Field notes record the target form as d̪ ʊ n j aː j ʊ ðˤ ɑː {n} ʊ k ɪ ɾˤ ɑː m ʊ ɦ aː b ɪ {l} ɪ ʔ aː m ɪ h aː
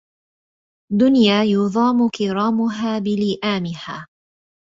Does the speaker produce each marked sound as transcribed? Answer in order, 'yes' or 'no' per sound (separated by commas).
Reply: no, yes